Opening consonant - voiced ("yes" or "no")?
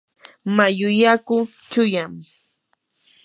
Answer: yes